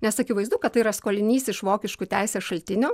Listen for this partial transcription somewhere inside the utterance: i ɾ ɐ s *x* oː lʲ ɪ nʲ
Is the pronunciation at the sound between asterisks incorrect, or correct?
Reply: incorrect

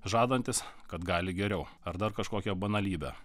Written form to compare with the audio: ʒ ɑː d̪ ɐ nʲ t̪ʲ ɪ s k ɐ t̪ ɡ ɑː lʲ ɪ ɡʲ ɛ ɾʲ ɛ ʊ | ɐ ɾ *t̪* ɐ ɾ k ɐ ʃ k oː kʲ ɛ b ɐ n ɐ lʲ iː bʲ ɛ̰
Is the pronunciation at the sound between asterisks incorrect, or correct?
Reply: incorrect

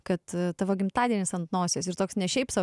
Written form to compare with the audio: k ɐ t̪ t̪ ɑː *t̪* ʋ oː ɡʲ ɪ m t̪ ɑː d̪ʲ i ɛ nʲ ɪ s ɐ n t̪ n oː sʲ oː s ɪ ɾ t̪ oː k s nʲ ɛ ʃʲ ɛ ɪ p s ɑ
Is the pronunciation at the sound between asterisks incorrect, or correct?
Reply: incorrect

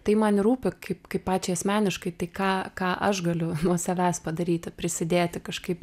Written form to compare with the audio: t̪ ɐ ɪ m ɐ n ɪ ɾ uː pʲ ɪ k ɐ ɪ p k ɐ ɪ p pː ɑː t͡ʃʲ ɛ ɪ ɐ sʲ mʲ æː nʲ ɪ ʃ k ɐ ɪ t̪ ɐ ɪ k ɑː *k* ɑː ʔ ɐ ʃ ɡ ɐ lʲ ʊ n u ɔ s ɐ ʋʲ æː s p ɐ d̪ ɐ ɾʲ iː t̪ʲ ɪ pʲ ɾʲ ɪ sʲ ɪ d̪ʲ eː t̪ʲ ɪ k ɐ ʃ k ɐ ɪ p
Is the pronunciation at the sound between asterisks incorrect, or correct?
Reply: correct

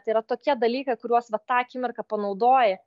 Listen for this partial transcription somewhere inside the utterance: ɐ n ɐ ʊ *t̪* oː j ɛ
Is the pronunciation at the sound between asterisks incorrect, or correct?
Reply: incorrect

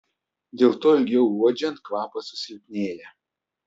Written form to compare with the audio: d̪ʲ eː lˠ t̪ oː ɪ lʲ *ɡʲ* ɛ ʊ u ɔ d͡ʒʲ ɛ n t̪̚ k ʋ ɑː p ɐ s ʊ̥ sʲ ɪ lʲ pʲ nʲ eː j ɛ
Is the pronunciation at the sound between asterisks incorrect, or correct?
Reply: correct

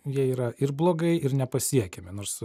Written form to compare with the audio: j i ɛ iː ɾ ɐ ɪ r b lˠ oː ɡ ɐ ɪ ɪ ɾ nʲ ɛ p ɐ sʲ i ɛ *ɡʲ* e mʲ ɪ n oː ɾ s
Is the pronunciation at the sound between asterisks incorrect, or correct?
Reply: incorrect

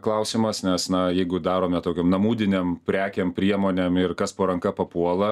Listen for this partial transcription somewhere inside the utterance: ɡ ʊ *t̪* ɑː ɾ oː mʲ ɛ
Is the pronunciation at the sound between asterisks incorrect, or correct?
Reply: incorrect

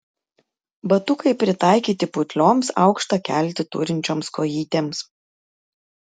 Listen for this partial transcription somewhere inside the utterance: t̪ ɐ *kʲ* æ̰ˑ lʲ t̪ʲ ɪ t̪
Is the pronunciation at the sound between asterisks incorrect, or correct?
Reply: correct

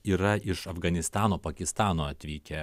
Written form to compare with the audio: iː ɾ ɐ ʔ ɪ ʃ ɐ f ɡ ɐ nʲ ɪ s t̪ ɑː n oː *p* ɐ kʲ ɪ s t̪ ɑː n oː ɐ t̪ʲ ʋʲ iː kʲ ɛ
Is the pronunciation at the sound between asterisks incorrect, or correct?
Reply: correct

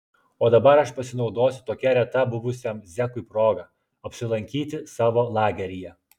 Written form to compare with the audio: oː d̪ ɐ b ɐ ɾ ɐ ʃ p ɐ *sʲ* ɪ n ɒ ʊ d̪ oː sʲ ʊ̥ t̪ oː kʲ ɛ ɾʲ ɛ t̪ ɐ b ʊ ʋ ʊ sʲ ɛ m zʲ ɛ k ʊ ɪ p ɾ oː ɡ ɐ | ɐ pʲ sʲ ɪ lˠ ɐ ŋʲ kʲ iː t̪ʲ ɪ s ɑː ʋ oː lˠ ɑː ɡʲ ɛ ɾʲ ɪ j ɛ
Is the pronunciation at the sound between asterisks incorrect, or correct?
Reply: correct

